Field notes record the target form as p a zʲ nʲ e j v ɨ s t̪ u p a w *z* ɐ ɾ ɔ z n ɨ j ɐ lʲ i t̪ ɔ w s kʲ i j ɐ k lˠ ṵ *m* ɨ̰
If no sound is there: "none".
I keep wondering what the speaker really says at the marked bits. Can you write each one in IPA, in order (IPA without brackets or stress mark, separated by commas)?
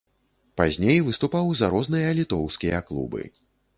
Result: z, b